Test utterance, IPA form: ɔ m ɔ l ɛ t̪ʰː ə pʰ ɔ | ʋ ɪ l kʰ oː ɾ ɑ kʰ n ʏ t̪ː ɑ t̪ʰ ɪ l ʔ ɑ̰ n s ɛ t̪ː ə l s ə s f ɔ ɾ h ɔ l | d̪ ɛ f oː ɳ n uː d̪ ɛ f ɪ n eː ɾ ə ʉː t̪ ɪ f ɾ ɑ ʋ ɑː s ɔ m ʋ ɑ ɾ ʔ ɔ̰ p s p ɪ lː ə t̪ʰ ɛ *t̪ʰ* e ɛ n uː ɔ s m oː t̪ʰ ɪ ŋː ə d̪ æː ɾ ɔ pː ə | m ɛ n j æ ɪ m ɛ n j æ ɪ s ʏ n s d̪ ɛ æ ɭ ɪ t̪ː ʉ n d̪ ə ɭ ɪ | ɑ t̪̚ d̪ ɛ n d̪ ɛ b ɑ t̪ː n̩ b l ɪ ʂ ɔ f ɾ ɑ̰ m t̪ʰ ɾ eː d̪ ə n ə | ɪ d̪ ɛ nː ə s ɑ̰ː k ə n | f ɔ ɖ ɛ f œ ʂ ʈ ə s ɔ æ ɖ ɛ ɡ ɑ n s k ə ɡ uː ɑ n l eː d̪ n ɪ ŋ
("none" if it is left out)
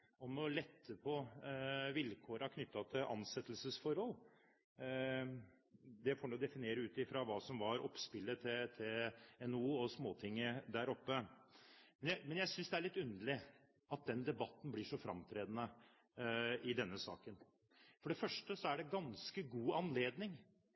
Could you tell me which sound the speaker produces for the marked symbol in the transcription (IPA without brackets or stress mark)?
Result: t̪ʰ